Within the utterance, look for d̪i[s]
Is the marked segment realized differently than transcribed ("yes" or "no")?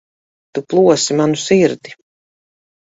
yes